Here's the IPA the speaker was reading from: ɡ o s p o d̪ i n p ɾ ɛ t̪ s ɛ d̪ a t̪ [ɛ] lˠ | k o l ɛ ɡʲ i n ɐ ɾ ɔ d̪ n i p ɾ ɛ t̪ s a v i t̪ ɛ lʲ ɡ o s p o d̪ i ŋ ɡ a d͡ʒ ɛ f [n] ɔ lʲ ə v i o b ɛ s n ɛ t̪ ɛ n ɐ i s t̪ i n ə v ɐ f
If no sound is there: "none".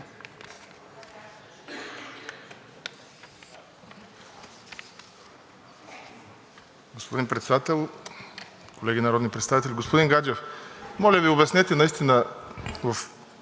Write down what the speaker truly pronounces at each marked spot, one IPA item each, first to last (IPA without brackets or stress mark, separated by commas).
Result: ɛ, m